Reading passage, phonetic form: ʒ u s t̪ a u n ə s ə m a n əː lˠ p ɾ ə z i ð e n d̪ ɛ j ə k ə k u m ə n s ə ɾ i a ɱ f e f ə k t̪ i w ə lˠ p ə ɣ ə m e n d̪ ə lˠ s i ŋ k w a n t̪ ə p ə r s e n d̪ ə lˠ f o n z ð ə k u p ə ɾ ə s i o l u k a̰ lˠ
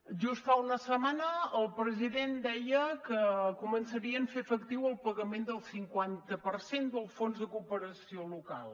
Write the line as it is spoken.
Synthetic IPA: ʒ u s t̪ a u n ə s ə m a n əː lˠ p ɾ ə z i ð e n d̪ ɛ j ə k ə k u m ə n s ə ɾ i ə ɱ f e f ə k t̪ i w ə lˠ p ə ɣ ə m e n d̪ ə lˠ s i ŋ k w a n t̪ ə p ə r s e n d̪ ə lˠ f o n z ð ə k u p ə ɾ ə s i o l u k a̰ lˠ

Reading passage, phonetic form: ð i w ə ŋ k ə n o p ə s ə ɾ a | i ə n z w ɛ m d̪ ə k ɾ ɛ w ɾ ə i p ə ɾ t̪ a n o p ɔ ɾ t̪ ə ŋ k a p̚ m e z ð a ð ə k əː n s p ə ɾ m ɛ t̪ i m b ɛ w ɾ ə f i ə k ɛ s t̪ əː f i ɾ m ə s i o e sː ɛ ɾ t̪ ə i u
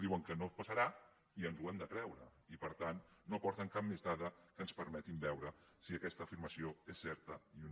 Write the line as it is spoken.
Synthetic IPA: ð i w ə ŋ k ə n o p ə s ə ɾ a | i ə n z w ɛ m d̪ ə k ɾ ɛ w ɾ ə i p ə ɾ t̪ a nː o p ɔ ɾ t̪ ə ŋ k a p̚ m e z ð a ð ə k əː n s p ə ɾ m ɛ t̪ i m b ɛ w ɾ ə s i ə k ɛ s t̪ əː f i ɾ m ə s i o e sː ɛ ɾ t̪ ə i u

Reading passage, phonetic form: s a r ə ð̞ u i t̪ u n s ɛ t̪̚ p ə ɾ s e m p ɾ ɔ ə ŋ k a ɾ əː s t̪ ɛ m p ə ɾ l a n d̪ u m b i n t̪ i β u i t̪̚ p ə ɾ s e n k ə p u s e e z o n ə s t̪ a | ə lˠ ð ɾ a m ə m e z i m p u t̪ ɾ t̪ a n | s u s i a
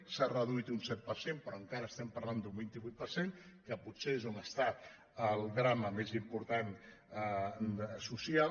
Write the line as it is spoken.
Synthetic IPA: s a r ə ð̞ u i t̪ u n s ɛ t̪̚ p ə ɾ s e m p ɾ ɔ ə ŋ k a ɾ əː s t̪ ɛ m p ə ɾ l a n d̪ u m b i n t̪ i β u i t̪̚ p ə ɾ s e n k ə p u s e e z o n ə s t̪ a | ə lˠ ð ɾ a m ə m e z i m p u ɾ t̪ a n | s u s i a

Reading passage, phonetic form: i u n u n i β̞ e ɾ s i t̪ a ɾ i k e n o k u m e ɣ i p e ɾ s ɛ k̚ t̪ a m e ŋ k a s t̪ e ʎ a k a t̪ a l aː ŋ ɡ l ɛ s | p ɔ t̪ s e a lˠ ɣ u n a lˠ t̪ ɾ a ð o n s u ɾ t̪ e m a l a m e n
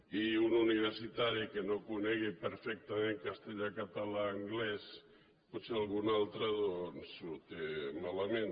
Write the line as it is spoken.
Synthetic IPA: i u n u n i β̞ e ɾ s i t̪ a ɾ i k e n o k u n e ɣ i p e ɾ f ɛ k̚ t̪ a m e ŋ k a s t̪ e ʎ a k a t̪ a l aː ŋ ɡ l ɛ s | p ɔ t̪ s e a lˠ ɣ u n a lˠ t̪ ɾ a ð o n s u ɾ t̪ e m a l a m e n

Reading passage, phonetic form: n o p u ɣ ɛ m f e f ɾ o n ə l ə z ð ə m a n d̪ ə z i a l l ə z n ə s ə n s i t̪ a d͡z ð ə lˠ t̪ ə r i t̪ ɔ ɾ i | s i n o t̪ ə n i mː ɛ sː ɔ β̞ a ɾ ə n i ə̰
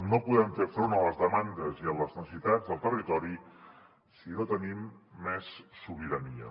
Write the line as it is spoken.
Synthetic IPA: n o p u ð ɛ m f e f ɾ o n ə l ə z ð ə m a n d̪ ə z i ə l l ə z n ə s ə s i t̪ a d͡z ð ə lˠ t̪ ə r i t̪ ɔ ɾ i | s i n o t̪ ə n i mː ɛ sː u β̞ i ɾ ə n i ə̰

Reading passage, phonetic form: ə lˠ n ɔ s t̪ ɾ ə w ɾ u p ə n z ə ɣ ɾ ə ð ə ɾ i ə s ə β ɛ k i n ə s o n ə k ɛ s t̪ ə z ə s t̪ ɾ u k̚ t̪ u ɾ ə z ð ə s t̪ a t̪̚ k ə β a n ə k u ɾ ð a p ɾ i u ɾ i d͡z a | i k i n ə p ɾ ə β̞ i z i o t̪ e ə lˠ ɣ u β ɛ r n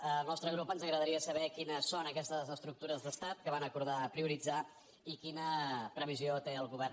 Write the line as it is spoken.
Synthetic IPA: ə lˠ n ɔ s t̪ ɾ ə ɣ ɾ u p ə n z ə ɣ ɾ ə ð ə ɾ i ə s ə β ɛ k i n ə s o n ə k ɛ s t̪ ə z ə s t̪ ɾ u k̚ t̪ u ɾ ə z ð ə s t̪ a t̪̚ k ə β a n ə k u ɾ ð a p ɾ i u ɾ i d͡z a | i k i n ə p ɾ ə β̞ i z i o t̪ e ə lˠ ɣ u β ɛ r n

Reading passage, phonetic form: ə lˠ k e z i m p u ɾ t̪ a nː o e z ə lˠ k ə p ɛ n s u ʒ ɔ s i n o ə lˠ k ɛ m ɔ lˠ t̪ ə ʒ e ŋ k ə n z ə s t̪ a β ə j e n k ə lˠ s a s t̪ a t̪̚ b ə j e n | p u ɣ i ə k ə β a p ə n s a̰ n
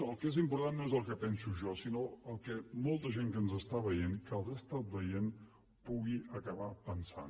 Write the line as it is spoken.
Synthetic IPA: ə lˠ k e z i m p u ɾ t̪ a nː o e z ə lˠ k ə p ɛ n s u ʒ ɔ s i n o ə lˠ k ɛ m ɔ lˠ t̪ ə ʒ e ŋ k ə n z ə s t̪ a β ə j e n k ə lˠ z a s t̪ a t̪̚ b ə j e n | p u ɣ i ə k ə β a p ə n s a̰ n

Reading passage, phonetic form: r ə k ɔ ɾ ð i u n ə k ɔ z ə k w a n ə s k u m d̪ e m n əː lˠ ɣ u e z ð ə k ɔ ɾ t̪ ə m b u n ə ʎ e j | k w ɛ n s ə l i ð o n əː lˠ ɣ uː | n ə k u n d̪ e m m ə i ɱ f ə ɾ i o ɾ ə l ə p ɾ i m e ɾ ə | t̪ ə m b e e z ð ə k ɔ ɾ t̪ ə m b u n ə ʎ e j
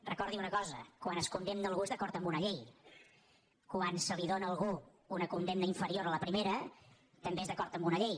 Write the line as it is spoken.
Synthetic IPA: r ə k ɔ ɾ ð i u n ə k ɔ z ə k w a n ə s k u n d̪ e m n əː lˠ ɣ u e z ð ə k ɔ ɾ t̪ ə m b u n ə ʎ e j | k w a n s ə l i ð o n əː lˠ ɣ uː | n ə k u n d̪ e m n ə i ɱ f ə ɾ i o ɾ ə l ə p ɾ i m e ɾ ə | t̪ ə m b e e z ð ə k ɔ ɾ t̪ ə m b u n ə ʎ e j

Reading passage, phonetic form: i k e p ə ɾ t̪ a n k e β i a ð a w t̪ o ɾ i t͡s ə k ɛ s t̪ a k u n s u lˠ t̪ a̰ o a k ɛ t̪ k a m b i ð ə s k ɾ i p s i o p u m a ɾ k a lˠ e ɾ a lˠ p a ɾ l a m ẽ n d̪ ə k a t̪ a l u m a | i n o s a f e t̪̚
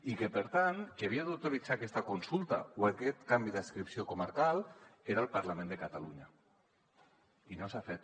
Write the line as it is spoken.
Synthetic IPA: i k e p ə ɾ t̪ a n k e β i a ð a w t̪ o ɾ i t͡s a k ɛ s t̪ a k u n s u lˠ t̪ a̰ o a k ɛ t̪ k a m b i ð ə s k ɾ i p s i o k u m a ɾ k a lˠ e ɾ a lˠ p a ɾ l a m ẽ n d̪ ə k a t̪ a l u ɲ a | i n o s a f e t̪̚

